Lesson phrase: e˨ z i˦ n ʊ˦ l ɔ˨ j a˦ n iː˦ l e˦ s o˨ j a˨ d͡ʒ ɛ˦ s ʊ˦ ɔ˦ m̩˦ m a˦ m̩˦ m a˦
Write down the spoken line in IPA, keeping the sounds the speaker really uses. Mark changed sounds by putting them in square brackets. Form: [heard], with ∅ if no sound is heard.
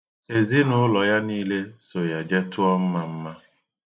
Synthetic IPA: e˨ z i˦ n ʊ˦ l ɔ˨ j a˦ n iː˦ l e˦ s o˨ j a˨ d͡ʒ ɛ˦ [t] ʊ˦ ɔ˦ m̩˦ m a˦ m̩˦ m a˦